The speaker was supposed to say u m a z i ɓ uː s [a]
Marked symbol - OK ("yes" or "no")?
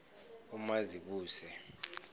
no